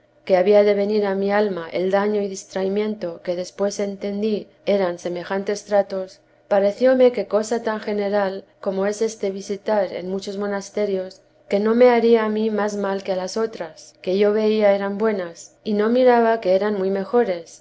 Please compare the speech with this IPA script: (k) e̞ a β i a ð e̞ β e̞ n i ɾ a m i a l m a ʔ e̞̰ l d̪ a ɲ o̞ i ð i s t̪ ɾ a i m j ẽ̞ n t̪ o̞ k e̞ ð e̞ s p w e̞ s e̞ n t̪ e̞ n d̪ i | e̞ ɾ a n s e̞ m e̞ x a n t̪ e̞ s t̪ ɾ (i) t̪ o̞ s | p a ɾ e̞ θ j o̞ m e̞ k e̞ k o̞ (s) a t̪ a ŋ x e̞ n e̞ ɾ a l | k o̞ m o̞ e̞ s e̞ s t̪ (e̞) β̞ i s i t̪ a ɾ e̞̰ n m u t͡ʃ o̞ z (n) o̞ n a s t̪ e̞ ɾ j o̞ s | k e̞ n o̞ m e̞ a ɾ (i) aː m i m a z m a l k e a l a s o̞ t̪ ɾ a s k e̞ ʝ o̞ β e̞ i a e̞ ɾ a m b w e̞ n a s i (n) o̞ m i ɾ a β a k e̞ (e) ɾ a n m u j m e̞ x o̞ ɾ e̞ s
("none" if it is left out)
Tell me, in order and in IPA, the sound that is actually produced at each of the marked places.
k, a, s, e̞, m, i, n, e

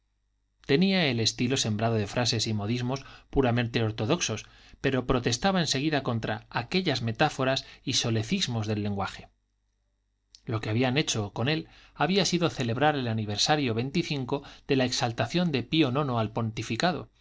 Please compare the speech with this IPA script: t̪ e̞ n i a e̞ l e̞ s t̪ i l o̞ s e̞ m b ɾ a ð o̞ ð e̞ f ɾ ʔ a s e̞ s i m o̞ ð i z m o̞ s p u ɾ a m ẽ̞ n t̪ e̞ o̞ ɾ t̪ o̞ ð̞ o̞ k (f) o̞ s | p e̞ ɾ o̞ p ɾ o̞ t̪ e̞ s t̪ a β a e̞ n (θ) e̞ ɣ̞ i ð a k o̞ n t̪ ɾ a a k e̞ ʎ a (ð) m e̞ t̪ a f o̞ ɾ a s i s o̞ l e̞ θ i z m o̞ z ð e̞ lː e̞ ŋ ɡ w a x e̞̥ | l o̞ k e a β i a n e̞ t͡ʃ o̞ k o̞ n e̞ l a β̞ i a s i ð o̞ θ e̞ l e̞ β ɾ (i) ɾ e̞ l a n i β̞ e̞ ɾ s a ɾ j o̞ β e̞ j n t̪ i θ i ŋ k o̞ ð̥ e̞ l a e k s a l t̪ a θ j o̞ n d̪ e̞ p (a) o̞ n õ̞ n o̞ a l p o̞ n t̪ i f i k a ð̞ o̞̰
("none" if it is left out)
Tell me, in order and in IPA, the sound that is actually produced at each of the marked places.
s, s, z, a, i

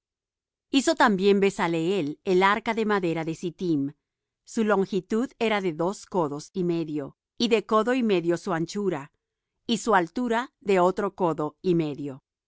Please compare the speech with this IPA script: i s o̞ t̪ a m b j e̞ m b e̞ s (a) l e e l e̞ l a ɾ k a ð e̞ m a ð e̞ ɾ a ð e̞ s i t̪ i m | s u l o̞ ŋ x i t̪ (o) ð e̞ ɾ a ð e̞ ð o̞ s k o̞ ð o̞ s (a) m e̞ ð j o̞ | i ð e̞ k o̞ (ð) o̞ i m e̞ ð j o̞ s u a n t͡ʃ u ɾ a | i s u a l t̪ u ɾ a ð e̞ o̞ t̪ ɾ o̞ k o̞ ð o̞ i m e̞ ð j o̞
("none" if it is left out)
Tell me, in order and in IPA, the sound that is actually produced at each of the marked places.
a, u, i, ð

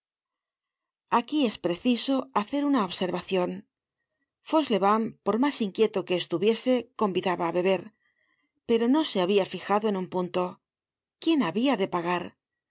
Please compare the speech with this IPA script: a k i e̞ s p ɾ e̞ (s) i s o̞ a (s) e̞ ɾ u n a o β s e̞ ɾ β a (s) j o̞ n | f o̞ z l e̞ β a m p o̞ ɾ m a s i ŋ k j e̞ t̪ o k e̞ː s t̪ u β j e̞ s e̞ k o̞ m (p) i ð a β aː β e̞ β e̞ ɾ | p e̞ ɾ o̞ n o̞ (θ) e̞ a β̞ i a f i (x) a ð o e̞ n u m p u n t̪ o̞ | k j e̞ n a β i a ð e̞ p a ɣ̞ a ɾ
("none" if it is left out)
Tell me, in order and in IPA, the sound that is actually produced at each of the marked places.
θ, θ, θ, b, s, x

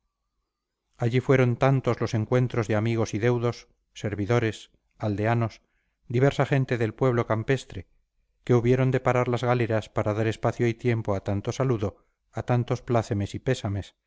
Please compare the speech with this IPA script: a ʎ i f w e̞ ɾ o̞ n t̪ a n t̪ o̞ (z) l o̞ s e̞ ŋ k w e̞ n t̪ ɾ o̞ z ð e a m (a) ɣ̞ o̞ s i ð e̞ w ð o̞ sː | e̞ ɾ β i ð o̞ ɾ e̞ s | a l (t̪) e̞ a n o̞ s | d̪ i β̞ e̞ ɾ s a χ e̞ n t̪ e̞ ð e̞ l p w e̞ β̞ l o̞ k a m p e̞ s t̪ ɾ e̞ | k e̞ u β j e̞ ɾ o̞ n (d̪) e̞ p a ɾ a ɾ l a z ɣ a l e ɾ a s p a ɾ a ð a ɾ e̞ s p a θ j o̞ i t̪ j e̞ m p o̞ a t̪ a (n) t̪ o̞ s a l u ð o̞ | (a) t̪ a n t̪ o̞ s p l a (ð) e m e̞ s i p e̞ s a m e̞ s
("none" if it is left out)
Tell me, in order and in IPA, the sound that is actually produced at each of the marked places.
z, i, d̪, d̪, n, a, θ

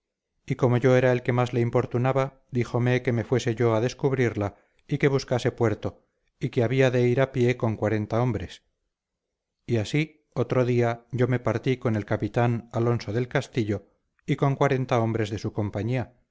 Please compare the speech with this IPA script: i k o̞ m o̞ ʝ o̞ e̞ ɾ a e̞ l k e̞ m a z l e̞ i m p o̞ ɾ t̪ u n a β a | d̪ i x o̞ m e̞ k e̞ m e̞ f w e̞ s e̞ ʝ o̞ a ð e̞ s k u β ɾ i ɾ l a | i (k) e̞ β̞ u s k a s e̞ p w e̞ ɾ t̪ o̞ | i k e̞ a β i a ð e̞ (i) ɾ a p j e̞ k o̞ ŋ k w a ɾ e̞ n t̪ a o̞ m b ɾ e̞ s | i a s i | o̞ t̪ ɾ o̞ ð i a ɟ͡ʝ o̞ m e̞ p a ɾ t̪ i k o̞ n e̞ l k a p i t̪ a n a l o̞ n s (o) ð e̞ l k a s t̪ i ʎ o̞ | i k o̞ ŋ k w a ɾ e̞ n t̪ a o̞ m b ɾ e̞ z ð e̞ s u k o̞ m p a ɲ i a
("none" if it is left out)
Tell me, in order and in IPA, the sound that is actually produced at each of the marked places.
k, i, o

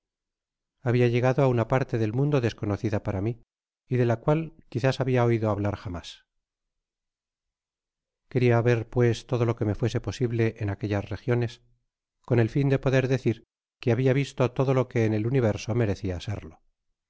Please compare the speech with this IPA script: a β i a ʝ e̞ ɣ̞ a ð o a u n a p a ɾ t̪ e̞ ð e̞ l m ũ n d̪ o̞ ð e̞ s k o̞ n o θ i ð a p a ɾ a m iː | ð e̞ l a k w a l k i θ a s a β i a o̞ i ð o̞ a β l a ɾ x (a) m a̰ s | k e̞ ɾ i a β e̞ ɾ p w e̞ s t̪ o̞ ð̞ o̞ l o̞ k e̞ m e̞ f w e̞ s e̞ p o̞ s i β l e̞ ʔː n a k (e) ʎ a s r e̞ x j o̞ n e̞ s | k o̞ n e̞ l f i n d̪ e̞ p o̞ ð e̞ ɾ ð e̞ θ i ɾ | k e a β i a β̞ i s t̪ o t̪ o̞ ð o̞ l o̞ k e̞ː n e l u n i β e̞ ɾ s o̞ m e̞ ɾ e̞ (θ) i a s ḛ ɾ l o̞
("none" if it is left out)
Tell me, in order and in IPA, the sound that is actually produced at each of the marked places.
a, e, θ

